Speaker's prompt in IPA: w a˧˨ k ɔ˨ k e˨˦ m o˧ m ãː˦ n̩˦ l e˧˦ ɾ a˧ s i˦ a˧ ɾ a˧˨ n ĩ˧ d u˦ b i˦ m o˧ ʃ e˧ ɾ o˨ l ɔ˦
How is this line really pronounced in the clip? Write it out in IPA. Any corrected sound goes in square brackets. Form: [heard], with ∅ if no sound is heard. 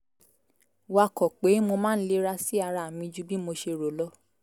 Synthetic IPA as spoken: w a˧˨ k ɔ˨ [k͡p] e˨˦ m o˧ m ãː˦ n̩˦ l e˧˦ ɾ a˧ s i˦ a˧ ɾ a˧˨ [m] ĩ˧ [d͡ʒ] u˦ b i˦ m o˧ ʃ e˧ ɾ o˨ l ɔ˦